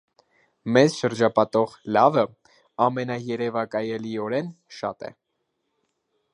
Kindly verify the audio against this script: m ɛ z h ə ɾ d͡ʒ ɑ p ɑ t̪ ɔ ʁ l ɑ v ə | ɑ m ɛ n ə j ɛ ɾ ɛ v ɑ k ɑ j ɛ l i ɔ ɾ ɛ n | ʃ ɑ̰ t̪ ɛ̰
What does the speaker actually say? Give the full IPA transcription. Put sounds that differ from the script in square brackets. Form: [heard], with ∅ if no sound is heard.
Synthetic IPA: m ɛ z [ʃ] ə ɾ d͡ʒ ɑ p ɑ t̪ ɔ ʁ l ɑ v ə | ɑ m ɛ n [ɑ] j ɛ ɾ ɛ v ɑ k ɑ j ɛ l i ɔ ɾ ɛ n | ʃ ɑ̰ t̪ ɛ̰

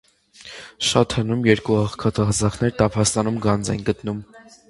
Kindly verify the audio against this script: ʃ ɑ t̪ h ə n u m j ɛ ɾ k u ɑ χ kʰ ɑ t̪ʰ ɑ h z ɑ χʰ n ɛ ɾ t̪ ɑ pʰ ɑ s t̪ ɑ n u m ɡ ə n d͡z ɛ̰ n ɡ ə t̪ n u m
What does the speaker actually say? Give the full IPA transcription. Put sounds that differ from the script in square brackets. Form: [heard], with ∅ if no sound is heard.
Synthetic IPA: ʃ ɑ t̪ h ə n u m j ɛ ɾ k u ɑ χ kʰ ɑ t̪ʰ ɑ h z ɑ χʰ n ɛ ɾ t̪ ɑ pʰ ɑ s t̪ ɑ n u m ɡ [ɑ] n d͡z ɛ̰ n ɡ ə t̪ n u m

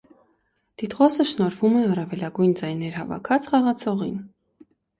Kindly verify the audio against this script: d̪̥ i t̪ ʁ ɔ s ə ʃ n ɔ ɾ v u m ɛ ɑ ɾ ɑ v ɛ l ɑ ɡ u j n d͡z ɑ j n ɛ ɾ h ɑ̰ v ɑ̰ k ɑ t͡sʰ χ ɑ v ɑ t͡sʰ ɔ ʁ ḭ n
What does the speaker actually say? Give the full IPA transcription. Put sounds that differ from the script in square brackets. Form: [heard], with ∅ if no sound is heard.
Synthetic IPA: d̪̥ i t̪ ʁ ɔ s ə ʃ n ɔ ɾ v u m ɛ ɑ [r] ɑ v ɛ l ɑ ɡ u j n d͡z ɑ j n ɛ ɾ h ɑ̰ v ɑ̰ [kʰ] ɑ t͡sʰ χ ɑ [ʁ] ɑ t͡sʰ ɔ ʁ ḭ n

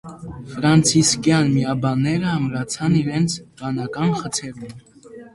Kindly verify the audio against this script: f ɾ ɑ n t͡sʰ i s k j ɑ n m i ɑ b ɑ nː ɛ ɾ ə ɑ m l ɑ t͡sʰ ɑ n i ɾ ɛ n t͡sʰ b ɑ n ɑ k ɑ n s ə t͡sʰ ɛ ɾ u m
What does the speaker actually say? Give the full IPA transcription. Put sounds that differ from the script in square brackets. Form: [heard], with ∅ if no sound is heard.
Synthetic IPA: f ɾ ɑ n t͡sʰ i s k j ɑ n m i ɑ b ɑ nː ɛ ɾ ə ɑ m [ɾ] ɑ t͡sʰ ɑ n i ɾ ɛ n t͡sʰ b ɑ n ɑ k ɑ n [χ] ə t͡sʰ ɛ ɾ u m

